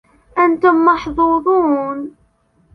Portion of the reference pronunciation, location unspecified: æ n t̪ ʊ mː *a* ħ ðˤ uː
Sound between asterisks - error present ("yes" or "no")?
yes